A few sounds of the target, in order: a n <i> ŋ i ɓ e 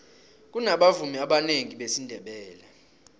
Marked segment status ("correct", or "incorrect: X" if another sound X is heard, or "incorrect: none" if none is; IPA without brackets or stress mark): incorrect: e